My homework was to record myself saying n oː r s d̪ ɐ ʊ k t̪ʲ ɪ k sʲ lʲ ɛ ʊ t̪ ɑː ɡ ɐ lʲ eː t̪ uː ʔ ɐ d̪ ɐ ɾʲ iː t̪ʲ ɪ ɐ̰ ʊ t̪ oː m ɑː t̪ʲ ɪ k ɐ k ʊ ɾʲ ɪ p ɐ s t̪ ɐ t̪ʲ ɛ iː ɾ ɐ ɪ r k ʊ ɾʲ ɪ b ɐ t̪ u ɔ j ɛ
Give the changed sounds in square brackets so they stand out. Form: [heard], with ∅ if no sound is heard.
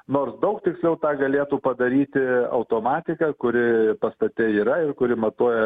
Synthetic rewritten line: n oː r s d̪ ɐ ʊ k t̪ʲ ɪ k sʲ lʲ ɛ ʊ t̪ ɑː ɡ ɐ lʲ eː t̪ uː [p] ɐ d̪ ɐ ɾʲ iː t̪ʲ ɪ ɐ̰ ʊ t̪ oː m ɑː t̪ʲ ɪ k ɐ k ʊ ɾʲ ɪ p ɐ s t̪ ɐ t̪ʲ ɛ iː ɾ ɐ ɪ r k ʊ ɾʲ ɪ [m] ɐ t̪ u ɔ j ɛ